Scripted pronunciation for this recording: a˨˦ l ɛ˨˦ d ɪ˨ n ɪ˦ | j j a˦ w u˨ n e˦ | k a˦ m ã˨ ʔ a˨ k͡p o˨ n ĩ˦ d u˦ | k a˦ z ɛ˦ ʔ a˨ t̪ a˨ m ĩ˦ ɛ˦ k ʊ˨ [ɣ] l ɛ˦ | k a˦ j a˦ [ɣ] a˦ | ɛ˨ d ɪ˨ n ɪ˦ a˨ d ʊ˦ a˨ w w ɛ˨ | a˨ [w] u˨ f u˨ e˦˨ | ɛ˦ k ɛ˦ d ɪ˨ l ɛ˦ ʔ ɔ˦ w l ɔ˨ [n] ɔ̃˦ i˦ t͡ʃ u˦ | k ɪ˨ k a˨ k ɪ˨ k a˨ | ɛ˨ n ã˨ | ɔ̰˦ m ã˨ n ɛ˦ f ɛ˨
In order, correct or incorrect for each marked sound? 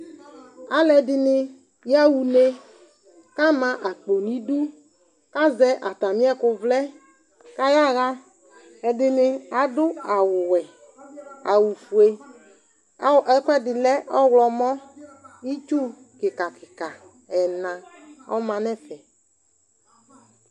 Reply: incorrect: v, correct, correct, incorrect: m

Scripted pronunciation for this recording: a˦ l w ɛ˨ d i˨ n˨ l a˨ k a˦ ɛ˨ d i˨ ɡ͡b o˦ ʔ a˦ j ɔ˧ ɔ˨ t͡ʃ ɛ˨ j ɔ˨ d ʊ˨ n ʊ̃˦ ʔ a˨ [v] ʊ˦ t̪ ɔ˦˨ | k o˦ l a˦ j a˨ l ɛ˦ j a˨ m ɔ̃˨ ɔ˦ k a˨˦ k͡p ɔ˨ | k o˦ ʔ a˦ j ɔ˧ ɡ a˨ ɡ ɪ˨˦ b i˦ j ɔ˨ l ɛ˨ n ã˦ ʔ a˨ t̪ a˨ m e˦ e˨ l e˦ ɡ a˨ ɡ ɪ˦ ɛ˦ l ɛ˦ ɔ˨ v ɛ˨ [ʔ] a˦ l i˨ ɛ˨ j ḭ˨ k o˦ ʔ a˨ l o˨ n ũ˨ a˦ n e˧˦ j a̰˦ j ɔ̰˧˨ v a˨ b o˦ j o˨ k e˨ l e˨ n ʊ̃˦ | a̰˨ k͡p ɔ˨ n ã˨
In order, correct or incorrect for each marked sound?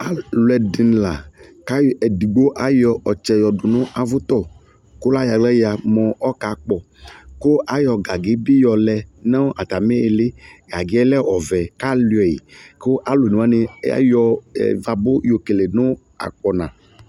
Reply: correct, incorrect: k

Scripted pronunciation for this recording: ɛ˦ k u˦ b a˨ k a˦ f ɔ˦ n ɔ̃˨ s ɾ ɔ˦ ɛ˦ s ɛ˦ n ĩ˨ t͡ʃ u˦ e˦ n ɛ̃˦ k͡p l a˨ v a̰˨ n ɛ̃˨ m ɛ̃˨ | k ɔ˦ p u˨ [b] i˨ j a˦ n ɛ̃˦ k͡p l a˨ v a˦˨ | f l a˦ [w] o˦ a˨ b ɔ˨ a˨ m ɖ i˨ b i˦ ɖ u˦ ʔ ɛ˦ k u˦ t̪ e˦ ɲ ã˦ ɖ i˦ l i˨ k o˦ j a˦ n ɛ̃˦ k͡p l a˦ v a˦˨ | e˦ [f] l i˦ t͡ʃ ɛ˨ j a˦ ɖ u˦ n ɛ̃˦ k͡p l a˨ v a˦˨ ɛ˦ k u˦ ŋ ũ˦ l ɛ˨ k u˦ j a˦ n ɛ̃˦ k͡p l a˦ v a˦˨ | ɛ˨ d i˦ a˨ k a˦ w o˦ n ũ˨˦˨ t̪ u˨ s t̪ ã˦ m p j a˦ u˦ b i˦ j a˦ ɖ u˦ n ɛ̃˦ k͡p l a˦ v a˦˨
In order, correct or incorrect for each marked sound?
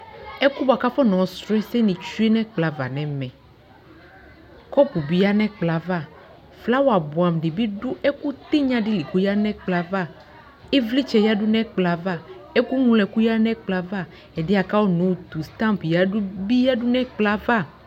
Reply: correct, correct, incorrect: v

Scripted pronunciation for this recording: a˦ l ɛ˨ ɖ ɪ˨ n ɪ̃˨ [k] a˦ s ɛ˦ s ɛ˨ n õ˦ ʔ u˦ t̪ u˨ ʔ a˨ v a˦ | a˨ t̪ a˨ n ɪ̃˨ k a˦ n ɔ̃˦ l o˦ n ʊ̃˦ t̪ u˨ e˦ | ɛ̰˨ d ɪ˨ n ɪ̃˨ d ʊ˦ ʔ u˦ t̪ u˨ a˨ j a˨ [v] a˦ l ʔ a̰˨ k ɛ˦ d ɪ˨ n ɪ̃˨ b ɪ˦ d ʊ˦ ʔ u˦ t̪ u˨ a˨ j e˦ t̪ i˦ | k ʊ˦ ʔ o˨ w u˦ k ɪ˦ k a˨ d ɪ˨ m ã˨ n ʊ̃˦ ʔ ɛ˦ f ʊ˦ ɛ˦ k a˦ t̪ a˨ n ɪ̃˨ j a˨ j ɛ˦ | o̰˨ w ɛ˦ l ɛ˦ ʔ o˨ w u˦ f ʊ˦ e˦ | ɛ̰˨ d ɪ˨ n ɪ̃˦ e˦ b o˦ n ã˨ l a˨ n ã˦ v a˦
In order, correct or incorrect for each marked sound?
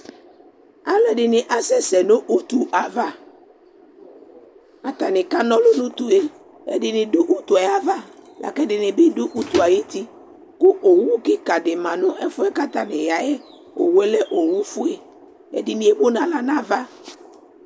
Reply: incorrect: ʔ, correct

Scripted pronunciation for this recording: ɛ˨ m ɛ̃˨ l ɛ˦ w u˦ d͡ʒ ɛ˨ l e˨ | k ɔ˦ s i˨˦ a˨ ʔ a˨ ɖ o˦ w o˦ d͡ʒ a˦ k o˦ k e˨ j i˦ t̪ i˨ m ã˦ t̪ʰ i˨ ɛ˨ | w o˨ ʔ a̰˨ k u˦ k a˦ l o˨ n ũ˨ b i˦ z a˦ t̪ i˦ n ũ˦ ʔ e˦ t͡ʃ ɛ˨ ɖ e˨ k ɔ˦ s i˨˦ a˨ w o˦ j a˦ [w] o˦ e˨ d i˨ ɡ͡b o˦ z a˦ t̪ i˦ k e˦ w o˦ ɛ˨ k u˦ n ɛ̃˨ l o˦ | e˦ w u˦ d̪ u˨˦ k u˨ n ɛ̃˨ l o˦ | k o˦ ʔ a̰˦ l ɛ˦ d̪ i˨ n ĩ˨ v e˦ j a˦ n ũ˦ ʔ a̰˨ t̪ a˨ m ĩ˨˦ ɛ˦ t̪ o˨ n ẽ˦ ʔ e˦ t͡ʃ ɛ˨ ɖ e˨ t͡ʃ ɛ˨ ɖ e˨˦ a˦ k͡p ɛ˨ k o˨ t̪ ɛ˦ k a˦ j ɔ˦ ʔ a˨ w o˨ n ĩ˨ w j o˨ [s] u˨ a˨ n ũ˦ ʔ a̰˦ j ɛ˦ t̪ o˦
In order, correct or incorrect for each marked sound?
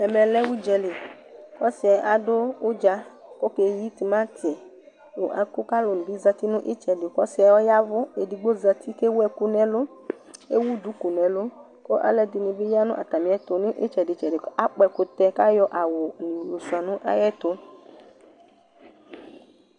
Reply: incorrect: v, correct

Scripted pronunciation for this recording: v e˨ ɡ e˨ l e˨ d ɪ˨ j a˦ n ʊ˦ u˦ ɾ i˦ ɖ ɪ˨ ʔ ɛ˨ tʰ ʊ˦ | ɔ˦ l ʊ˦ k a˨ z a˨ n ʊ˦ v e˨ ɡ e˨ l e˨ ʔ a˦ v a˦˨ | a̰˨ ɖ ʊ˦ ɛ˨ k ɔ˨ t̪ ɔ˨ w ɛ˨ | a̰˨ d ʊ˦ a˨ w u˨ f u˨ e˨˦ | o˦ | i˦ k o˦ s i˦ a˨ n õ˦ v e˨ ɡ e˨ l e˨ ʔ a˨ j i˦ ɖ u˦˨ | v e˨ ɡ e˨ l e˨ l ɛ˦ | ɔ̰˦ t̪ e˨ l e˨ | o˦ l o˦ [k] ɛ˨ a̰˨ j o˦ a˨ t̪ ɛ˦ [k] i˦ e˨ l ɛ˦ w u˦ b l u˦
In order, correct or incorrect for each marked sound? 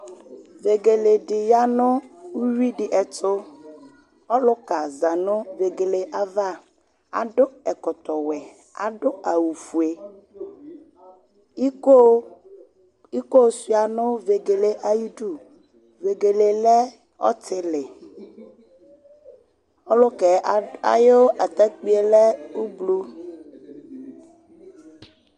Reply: correct, incorrect: k͡p

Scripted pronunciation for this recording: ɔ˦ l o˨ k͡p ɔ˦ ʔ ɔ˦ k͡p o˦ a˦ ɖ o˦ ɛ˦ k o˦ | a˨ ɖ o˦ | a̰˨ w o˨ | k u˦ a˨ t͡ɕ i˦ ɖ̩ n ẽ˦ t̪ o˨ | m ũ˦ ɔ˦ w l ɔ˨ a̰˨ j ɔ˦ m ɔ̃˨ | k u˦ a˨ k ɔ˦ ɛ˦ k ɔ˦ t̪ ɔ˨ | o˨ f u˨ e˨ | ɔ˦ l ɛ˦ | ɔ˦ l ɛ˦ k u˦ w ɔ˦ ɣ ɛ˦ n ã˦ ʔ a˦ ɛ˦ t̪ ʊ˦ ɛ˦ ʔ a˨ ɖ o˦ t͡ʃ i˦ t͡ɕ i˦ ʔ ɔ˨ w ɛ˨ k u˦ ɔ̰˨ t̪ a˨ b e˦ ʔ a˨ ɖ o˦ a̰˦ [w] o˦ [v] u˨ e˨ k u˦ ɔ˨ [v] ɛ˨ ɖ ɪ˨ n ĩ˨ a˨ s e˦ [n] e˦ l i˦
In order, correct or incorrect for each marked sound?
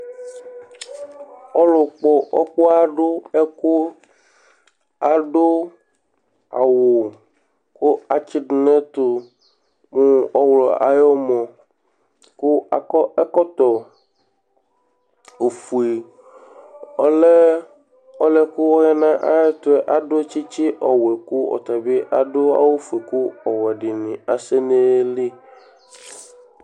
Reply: correct, incorrect: f, incorrect: w, correct

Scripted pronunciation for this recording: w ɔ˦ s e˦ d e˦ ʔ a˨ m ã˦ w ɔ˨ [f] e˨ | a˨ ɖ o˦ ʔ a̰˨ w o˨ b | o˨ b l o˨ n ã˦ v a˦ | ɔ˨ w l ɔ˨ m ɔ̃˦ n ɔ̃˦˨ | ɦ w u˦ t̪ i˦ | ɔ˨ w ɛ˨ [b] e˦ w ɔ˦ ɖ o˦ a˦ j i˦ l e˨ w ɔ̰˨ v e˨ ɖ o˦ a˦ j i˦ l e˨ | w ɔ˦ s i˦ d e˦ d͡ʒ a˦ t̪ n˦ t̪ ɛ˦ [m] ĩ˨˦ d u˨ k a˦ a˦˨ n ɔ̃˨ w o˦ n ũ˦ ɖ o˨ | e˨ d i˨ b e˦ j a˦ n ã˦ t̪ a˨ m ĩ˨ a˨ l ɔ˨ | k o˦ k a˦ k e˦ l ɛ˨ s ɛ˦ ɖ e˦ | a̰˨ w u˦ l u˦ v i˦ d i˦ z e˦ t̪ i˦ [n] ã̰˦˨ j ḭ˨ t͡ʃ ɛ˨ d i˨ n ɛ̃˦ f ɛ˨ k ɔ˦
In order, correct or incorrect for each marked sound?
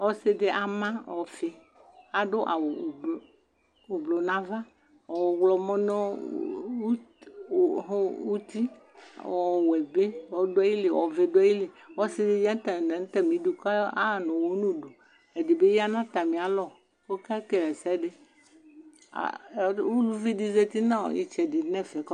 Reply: correct, correct, correct, correct

